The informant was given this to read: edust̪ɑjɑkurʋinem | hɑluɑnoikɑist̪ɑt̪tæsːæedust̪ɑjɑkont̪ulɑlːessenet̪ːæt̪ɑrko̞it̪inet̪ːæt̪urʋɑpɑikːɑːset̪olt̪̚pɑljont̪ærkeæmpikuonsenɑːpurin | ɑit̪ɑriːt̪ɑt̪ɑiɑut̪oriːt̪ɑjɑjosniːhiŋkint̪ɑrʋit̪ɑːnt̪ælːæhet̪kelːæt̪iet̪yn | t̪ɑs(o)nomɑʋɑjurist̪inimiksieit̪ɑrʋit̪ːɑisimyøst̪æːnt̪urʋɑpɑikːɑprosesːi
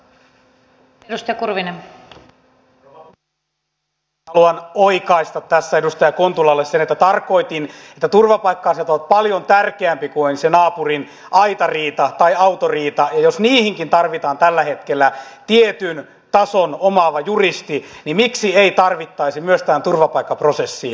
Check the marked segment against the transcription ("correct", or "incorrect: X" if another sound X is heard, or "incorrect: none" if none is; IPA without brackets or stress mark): correct